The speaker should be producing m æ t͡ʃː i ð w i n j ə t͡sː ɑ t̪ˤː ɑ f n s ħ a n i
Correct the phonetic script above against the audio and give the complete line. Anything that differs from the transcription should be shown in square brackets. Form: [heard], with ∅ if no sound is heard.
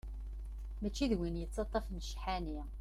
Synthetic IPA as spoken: m æ t͡ʃː i ð w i n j ə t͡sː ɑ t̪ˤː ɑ f n [ʃ] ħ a n i